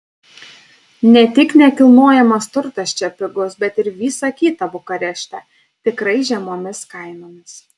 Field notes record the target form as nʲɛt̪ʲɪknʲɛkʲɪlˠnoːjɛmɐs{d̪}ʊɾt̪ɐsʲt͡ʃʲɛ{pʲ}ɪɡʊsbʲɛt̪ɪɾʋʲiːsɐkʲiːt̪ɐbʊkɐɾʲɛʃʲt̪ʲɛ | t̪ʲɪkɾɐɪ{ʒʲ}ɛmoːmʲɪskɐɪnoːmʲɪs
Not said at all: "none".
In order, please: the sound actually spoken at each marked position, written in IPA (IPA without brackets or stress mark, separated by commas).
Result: t̪, pʲ, ʒʲ